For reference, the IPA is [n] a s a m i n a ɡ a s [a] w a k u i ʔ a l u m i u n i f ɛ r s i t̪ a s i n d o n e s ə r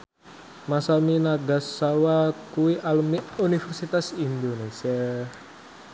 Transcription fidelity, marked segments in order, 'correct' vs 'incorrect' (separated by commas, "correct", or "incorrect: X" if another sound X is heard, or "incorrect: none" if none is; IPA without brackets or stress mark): incorrect: m, correct